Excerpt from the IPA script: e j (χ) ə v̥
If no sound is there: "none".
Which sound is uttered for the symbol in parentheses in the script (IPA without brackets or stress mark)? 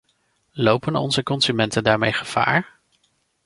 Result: χ